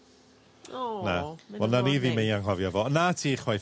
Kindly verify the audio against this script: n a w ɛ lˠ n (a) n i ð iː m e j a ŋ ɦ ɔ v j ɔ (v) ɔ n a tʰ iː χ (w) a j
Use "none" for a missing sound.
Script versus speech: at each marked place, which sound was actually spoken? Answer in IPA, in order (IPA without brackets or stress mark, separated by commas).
a, v, w